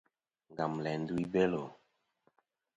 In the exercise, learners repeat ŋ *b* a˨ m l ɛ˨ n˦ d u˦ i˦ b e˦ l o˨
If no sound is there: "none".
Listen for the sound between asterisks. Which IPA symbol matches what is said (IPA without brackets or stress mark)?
ɡ